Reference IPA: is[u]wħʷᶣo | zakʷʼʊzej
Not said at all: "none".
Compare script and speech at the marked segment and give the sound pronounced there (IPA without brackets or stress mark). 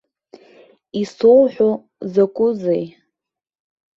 o